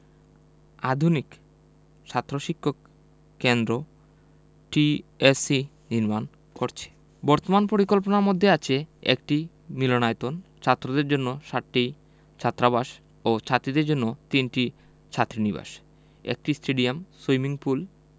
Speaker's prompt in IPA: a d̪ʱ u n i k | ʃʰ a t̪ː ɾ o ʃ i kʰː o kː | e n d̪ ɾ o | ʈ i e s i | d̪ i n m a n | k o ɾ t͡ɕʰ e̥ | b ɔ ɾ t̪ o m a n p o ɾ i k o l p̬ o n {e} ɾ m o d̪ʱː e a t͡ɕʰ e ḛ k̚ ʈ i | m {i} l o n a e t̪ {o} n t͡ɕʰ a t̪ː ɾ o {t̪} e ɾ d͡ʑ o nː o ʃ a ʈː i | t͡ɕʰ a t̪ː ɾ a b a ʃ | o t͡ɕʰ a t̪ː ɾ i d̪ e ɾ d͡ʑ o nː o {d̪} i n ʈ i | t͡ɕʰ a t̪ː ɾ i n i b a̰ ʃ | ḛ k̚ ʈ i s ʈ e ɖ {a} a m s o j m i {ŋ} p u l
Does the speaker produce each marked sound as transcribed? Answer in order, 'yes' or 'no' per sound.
no, yes, yes, no, no, no, yes

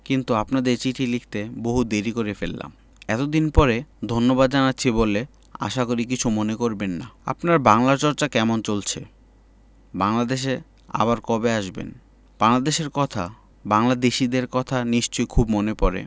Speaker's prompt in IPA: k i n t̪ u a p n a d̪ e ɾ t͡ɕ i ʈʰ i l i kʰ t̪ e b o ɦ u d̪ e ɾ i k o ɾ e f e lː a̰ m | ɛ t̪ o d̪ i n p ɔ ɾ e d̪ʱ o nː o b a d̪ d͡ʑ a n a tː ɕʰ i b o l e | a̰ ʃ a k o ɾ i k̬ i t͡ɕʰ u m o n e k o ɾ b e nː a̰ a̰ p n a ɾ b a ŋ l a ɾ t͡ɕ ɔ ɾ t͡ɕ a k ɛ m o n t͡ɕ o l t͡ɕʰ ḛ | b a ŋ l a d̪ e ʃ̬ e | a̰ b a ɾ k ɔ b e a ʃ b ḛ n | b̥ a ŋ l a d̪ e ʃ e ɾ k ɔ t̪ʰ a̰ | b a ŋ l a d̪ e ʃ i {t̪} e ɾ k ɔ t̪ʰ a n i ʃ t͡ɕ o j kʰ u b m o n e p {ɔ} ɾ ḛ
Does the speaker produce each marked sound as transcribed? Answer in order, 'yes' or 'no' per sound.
no, yes

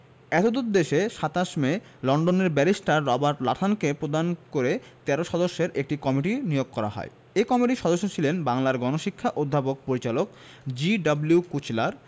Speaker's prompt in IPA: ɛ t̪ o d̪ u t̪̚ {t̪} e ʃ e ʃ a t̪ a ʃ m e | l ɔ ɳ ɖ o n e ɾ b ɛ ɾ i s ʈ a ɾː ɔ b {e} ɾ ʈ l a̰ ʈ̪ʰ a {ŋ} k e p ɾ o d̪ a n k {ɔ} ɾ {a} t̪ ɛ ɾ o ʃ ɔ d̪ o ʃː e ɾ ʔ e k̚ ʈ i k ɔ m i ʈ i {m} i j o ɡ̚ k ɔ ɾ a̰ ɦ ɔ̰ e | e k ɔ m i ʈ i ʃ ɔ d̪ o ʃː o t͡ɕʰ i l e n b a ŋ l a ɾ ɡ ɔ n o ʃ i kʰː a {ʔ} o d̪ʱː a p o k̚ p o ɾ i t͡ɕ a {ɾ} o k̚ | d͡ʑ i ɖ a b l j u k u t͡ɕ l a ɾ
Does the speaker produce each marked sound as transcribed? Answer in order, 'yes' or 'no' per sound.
no, no, no, no, no, no, yes, no

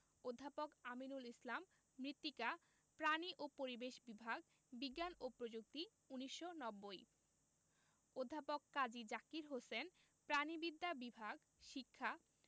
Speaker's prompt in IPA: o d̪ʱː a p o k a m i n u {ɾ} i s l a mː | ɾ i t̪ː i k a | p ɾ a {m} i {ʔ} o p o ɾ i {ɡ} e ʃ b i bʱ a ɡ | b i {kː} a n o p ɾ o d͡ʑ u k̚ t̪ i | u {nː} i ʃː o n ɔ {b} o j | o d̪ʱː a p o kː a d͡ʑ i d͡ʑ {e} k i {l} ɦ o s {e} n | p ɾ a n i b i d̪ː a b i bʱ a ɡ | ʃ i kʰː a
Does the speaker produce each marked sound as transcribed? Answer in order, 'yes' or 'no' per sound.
no, no, yes, no, no, no, no, no, no, yes

